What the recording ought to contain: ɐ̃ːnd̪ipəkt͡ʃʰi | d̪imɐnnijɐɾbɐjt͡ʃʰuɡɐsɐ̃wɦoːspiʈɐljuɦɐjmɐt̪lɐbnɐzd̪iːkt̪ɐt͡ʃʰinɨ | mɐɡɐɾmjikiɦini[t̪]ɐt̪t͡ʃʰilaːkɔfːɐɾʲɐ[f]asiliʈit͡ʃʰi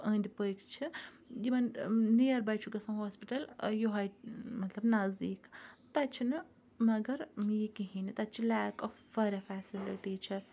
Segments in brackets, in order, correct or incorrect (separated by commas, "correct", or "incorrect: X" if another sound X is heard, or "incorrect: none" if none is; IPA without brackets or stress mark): correct, correct